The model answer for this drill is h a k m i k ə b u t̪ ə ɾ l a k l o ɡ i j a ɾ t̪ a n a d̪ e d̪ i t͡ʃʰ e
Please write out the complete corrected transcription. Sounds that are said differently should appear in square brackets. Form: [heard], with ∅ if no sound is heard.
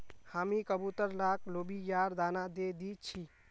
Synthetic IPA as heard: h a [∅] m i k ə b u t̪ ə ɾ l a k l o [b] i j a ɾ [d̪] a n a d̪ e d̪ i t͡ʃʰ [i]